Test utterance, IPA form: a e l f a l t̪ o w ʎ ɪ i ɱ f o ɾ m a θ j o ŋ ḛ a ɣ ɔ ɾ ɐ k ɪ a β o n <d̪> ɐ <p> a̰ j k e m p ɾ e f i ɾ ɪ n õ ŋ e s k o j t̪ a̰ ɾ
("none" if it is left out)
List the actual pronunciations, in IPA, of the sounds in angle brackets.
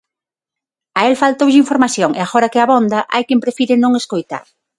d̪, ʔ

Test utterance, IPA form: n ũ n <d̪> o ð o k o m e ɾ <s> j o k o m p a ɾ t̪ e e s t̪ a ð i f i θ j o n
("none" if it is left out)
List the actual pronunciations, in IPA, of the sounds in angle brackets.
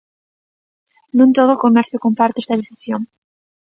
t̪, θ

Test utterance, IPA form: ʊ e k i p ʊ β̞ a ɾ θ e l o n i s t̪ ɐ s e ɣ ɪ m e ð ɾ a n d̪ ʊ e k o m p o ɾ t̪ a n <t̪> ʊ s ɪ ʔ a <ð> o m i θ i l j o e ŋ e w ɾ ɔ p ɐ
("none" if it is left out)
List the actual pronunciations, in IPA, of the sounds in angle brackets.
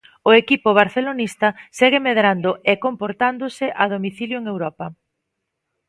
d̪, ð

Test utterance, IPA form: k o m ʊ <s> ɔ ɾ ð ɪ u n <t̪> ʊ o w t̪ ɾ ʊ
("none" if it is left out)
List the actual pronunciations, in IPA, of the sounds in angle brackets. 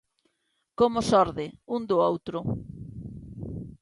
s, d̪

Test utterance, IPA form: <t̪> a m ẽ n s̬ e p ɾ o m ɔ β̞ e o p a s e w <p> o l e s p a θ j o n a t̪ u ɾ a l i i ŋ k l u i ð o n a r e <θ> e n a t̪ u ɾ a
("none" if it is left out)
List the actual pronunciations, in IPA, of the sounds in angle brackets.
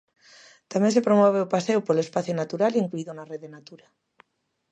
t̪, p, ð

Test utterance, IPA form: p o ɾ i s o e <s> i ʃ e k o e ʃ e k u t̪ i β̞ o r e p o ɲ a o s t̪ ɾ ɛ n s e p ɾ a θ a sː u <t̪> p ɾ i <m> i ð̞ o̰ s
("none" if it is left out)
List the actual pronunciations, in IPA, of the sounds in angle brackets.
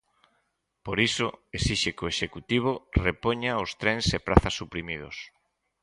s, none, m

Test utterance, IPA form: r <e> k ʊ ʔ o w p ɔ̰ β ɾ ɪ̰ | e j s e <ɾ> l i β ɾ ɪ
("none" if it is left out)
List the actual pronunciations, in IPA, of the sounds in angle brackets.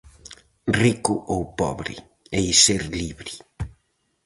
i, ɾ

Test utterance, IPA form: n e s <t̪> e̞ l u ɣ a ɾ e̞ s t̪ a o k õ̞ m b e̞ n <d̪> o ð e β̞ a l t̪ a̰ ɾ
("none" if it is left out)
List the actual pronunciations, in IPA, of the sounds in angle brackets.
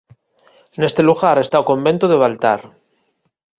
t̪, t̪

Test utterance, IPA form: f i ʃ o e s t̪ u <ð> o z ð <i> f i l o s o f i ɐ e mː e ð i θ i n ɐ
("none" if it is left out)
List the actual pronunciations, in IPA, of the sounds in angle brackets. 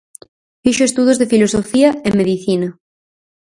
ð, e

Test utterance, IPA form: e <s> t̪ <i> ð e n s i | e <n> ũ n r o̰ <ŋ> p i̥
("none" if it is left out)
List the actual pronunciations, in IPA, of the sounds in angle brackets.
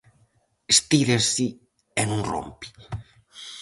s, i, n, m

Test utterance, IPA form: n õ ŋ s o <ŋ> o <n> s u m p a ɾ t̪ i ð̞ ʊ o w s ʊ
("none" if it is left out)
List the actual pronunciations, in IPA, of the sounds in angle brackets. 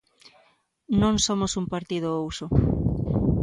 m, none

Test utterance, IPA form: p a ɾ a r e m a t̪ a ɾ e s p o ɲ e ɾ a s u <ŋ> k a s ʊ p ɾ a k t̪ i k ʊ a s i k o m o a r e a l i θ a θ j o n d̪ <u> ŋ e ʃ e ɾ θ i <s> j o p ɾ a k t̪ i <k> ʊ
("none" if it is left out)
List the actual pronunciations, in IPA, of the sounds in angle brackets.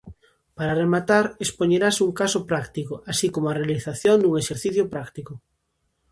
ŋ, u, θ, k

